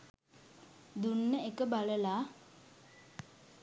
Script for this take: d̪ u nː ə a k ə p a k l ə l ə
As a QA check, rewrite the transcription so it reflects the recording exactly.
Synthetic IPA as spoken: d̪ u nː ə e k ə b a l ə l a

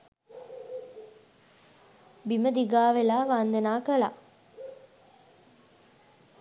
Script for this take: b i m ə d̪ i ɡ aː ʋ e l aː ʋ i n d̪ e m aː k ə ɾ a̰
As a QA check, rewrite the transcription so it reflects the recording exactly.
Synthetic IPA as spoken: b i m ə d̪ i ɡ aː ʋ e l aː ʋ a n d̪ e n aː k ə l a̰

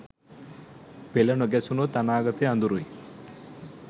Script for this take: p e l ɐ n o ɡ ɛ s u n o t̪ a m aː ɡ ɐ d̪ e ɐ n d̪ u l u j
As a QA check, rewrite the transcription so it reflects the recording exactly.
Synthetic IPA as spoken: p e l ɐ n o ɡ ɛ s u n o t̪ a n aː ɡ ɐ t̪ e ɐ n d̪ u ɾ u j

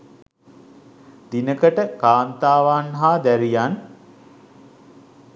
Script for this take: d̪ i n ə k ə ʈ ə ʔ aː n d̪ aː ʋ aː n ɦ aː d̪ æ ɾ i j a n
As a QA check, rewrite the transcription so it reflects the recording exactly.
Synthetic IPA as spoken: d̪ i n ə k ə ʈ ə k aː n t̪ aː ʋ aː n ɦ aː d̪ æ ɾ i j a n

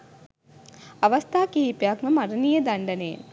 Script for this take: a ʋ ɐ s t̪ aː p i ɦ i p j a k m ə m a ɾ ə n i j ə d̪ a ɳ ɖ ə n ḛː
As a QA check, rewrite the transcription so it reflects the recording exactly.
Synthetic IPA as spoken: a ʋ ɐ s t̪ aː k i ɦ i p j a k m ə m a ɾ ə n i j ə d̪ a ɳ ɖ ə n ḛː

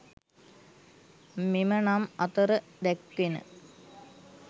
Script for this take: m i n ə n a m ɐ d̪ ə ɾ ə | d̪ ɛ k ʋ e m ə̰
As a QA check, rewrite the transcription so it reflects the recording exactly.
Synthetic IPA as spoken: m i m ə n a m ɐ t̪ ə ɾ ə | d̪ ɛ k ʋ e n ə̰

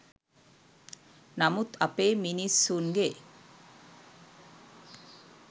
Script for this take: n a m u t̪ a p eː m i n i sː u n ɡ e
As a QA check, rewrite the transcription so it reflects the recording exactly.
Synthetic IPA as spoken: n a m u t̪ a p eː m i n i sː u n ɡ e

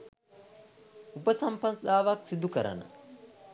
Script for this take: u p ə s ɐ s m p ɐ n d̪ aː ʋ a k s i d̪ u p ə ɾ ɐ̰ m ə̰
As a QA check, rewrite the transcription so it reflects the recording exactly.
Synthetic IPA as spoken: u p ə s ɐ m p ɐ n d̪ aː ʋ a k s i d̪ u k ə ɾ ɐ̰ n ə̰

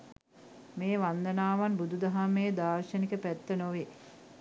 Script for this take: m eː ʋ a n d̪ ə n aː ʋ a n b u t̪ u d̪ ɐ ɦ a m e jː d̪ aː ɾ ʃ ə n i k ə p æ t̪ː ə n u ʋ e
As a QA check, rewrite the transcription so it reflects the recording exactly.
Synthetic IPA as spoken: m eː ʋ a n d̪ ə n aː ʋ a n b u d̪ u d̪ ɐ ɦ a m e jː d̪ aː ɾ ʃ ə n i k ə p æ t̪ː ə n o ʋ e

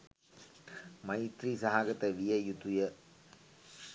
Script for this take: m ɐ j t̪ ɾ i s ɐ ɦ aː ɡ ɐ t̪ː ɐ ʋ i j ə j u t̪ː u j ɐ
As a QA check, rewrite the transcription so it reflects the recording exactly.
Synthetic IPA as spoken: m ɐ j t̪ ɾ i s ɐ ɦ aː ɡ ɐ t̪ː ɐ ʋ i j ɐ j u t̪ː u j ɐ

